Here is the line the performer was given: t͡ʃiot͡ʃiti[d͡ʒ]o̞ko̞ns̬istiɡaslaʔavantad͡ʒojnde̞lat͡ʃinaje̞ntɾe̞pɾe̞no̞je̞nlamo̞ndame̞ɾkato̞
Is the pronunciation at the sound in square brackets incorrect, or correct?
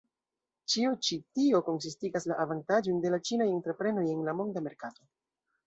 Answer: incorrect